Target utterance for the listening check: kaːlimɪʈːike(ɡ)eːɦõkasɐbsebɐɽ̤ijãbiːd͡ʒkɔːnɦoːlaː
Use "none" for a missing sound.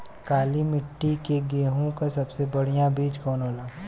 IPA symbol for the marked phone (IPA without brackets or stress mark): ɡ